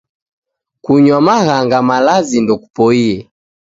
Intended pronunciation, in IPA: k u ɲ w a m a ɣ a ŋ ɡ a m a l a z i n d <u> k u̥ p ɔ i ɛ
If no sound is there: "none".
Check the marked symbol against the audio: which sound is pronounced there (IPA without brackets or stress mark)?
ɔ